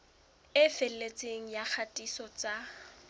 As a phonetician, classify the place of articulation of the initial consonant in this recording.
labial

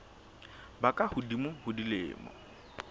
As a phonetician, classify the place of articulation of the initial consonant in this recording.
labial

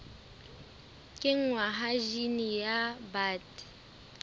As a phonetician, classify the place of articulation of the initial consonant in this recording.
velar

